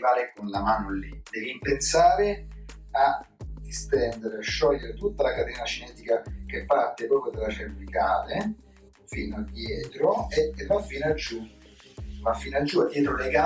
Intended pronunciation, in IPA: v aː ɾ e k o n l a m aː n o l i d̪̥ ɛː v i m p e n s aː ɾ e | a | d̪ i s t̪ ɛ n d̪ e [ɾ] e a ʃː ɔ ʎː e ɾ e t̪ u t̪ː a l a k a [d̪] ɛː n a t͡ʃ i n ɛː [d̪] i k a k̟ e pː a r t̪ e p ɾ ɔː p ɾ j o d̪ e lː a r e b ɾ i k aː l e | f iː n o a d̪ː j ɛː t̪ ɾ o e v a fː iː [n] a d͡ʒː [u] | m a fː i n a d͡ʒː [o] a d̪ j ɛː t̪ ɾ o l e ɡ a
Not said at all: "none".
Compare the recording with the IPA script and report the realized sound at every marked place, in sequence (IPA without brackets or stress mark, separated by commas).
ɾ, t̪, t̪, n, u, u